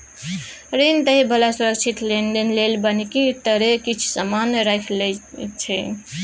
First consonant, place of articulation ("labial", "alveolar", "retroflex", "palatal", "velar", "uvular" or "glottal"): alveolar